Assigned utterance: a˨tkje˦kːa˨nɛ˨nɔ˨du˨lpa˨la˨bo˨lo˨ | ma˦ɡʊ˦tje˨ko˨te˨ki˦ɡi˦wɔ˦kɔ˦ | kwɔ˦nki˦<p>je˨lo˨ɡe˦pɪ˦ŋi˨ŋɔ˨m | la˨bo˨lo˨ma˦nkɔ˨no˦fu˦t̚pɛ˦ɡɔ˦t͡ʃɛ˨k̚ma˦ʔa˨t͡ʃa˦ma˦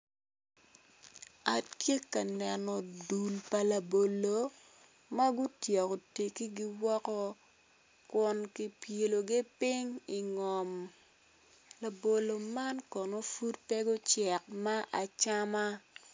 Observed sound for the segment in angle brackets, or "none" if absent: p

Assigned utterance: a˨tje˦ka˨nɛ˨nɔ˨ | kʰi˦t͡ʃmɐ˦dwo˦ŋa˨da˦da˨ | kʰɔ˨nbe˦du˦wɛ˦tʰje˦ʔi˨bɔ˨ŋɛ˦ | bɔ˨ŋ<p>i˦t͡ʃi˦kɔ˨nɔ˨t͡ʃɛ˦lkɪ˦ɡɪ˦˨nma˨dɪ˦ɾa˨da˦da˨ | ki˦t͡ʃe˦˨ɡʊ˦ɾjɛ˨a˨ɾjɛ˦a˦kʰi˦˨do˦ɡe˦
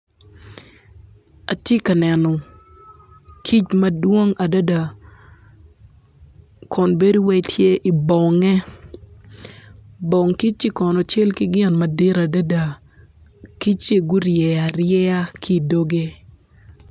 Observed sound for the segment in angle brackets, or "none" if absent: k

